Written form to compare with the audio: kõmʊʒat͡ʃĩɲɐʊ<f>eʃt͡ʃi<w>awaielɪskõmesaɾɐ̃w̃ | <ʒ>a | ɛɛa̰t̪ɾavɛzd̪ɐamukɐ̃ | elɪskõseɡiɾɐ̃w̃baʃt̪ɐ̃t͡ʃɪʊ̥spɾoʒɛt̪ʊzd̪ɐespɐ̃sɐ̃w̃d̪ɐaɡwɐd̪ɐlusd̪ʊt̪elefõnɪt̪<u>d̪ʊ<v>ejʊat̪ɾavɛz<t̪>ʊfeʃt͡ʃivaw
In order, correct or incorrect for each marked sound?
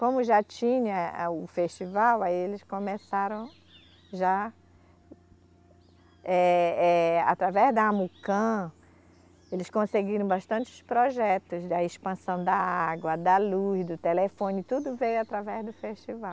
correct, incorrect: v, correct, correct, correct, incorrect: d̪

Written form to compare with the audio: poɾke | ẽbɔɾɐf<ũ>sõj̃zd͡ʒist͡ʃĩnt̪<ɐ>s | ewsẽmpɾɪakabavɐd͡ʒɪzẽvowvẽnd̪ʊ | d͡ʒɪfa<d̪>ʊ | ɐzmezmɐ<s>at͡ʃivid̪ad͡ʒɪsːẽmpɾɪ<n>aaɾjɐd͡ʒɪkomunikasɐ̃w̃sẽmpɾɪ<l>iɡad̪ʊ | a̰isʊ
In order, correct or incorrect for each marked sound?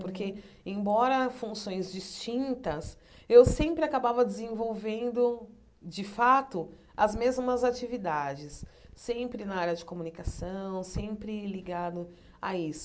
correct, correct, incorrect: t̪, incorrect: z, correct, correct

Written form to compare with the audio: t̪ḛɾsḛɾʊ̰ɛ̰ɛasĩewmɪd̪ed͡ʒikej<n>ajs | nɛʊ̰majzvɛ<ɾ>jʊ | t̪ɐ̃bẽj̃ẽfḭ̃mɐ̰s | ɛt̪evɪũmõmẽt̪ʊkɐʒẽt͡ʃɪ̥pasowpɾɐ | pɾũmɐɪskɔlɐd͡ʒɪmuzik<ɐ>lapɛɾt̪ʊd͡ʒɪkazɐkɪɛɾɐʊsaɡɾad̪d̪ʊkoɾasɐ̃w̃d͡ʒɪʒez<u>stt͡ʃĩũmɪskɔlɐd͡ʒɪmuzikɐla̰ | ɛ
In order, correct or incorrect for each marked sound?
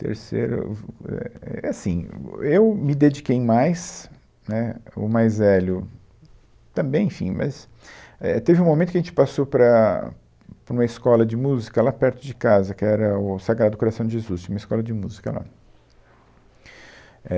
incorrect: m, incorrect: l, correct, correct

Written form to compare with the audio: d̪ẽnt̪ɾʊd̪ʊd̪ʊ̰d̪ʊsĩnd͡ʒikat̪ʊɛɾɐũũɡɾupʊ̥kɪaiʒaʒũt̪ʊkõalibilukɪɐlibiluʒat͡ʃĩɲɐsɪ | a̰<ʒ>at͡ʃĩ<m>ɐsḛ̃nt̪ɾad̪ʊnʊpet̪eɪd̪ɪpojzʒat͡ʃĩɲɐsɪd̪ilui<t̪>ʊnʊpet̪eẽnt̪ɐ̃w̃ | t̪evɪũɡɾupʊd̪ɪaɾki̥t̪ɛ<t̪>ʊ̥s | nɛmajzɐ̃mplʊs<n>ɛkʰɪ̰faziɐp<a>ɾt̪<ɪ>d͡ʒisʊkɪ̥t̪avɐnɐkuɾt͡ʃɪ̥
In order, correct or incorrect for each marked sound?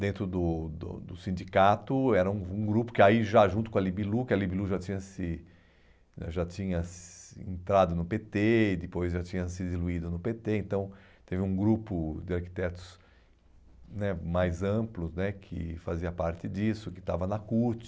correct, incorrect: ɲ, incorrect: d̪, correct, correct, correct, correct

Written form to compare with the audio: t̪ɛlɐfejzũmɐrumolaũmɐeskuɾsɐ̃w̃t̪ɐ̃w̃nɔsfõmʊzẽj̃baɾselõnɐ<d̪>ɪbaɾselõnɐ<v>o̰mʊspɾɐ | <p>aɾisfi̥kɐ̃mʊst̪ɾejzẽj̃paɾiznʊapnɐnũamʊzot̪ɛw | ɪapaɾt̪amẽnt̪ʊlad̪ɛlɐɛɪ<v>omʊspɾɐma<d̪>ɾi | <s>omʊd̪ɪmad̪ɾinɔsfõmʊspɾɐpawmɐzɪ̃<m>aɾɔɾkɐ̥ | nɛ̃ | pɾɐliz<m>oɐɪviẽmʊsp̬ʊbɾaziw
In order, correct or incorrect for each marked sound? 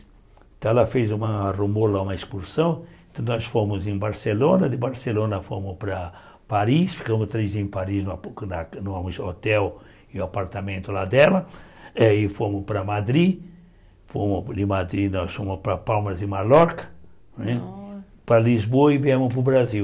correct, incorrect: f, correct, incorrect: f, correct, incorrect: f, correct, incorrect: b

